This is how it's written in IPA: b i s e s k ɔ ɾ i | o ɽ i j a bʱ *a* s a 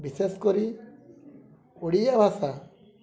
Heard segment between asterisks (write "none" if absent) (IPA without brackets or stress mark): a